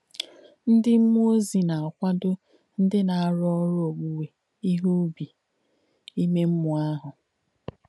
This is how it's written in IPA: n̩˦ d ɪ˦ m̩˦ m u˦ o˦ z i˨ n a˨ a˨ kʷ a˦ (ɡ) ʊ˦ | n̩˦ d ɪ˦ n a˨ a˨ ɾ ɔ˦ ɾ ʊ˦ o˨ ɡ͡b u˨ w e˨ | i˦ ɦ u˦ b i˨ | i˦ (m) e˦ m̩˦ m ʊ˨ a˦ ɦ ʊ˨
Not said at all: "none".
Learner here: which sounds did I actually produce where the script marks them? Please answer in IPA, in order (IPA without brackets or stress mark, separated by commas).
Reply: d, m